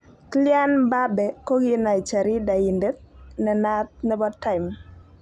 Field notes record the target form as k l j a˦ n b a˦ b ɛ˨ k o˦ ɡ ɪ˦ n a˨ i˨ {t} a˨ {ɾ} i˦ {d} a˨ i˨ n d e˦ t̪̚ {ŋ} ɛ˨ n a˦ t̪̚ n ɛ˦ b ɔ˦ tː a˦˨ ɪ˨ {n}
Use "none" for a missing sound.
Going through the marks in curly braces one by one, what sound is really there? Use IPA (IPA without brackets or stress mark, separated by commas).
t͡ʃ, ɾ, d, n, m